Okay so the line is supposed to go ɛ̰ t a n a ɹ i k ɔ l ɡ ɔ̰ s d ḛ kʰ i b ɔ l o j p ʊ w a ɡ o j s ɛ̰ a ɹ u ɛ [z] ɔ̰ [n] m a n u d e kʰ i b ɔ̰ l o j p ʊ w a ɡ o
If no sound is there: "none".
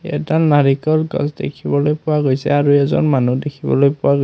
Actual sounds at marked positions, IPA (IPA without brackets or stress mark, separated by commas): z, n